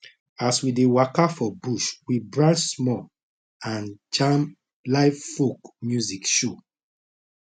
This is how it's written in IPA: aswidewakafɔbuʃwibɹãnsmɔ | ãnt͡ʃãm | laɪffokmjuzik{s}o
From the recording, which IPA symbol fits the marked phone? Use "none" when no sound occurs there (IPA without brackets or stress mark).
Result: ʃ